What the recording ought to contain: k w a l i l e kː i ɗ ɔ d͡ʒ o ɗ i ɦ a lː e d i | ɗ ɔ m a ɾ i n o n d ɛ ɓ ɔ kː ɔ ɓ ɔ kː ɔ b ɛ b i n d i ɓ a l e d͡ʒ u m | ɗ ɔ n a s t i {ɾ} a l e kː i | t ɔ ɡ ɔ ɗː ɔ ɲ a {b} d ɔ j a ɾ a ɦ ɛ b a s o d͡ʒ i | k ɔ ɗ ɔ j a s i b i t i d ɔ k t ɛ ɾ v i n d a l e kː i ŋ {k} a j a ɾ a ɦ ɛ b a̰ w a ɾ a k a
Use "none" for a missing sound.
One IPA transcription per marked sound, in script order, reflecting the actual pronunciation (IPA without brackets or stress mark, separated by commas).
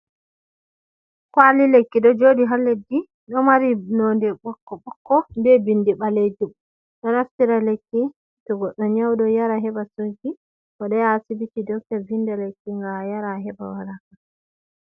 ɾ, w, ɡ